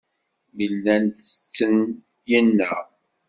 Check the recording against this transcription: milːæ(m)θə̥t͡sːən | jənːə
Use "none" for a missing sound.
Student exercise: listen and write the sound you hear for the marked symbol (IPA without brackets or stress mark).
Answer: n